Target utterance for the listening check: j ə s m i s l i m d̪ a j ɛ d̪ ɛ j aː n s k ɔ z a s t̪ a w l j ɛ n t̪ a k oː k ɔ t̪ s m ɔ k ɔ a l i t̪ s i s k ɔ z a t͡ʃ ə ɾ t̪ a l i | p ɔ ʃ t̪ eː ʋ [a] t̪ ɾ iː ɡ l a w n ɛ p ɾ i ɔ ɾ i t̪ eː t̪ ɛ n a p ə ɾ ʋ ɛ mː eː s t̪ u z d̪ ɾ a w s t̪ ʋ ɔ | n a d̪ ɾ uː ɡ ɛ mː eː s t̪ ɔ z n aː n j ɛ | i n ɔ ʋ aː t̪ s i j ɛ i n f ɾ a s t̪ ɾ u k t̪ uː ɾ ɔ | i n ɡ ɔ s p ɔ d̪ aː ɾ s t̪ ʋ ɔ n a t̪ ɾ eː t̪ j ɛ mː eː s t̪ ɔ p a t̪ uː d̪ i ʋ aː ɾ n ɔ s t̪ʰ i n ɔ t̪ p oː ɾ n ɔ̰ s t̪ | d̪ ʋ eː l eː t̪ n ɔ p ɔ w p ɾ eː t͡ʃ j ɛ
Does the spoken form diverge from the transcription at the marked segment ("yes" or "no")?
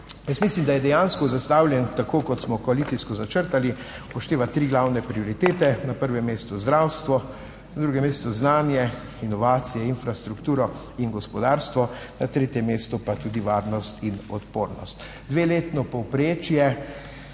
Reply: no